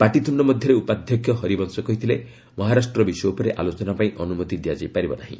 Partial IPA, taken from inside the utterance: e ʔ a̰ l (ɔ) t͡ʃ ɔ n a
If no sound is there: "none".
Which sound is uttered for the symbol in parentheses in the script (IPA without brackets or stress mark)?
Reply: o